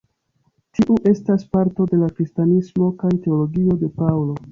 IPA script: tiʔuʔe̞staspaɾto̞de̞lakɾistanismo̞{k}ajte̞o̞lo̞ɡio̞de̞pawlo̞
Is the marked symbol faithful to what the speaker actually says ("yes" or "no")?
yes